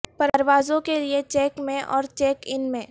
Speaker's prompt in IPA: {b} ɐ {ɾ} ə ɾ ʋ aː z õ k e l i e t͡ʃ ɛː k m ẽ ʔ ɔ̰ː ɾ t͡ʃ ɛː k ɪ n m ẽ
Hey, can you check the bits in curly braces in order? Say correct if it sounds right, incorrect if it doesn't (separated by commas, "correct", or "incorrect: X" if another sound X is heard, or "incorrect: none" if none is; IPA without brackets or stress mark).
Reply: incorrect: p, correct